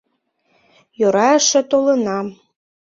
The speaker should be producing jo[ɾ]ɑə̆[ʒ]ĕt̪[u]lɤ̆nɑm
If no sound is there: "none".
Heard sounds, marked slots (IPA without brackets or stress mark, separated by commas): ɾ, ʃ, o